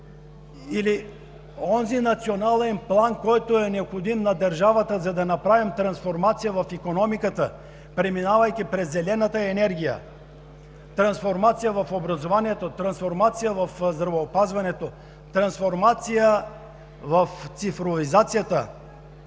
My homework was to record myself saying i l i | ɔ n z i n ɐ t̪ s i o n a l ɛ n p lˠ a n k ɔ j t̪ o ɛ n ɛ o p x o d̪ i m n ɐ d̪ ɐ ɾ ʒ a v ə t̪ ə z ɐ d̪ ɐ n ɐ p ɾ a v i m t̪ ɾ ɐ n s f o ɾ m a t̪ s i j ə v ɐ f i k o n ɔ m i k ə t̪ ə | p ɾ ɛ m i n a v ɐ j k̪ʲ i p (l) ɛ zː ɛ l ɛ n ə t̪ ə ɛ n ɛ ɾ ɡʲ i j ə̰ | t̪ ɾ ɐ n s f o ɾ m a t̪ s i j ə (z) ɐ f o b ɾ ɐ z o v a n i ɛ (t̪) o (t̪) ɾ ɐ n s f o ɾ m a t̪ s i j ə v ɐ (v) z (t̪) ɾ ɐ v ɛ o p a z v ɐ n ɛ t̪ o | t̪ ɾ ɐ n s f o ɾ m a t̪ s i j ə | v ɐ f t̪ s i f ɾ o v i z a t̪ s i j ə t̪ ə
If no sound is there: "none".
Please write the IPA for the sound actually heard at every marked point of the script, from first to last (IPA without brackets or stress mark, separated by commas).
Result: ɾ, v, t̪, t̪, f, d̪